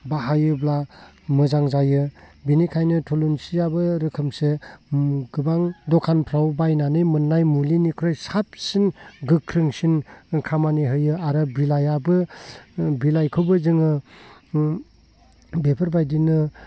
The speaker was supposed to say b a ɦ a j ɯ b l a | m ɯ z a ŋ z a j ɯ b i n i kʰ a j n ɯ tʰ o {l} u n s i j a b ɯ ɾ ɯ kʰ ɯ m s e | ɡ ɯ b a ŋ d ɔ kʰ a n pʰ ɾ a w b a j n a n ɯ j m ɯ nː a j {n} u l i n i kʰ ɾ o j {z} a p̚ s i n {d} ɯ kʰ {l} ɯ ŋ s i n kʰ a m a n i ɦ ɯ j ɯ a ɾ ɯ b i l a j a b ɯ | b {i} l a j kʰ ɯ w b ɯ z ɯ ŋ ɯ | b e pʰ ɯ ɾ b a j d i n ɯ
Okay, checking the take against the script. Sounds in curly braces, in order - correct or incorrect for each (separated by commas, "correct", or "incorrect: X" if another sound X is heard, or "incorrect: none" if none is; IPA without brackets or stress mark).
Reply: correct, incorrect: m, incorrect: s, incorrect: ɡ, incorrect: ɾ, correct